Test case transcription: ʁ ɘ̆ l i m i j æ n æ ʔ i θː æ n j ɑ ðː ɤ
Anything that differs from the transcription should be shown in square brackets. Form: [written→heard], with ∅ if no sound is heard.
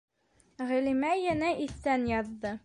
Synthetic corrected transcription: ʁ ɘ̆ l i m [i→æ] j æ n æ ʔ i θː æ n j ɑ ðː ɤ